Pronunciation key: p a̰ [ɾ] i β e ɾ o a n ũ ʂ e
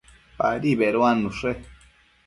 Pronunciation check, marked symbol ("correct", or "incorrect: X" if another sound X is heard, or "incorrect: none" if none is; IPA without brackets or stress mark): correct